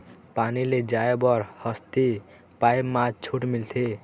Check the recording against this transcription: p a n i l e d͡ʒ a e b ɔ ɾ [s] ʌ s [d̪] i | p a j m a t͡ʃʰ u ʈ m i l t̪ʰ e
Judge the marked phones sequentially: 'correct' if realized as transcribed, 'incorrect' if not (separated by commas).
incorrect, incorrect